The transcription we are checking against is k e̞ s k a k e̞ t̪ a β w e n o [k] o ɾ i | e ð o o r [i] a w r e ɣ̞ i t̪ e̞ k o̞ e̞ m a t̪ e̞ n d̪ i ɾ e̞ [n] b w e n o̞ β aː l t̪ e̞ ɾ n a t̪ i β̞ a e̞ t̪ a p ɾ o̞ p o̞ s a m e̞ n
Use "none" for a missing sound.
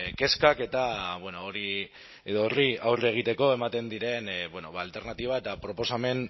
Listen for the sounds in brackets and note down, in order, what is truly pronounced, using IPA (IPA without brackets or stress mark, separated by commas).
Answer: none, i, n